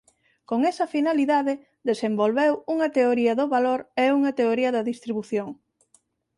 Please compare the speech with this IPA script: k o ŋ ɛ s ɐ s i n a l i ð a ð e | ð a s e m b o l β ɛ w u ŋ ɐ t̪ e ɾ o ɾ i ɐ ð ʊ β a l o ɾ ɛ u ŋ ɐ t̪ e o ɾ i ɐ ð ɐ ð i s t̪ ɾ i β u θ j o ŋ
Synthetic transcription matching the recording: k o ŋ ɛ s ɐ f i n a l i ð a ð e | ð e s e m b o l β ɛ w u ŋ ɐ t̪ e o ɾ i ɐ ð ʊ β a l o ɾ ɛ u ŋ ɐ t̪ e o ɾ i ɐ ð ɐ ð i s t̪ ɾ i β u θ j o ŋ